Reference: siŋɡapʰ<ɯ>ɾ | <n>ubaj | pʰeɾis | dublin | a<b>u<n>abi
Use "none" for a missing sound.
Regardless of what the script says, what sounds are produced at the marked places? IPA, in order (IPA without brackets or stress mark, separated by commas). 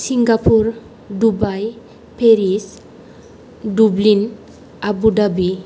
u, d, b, d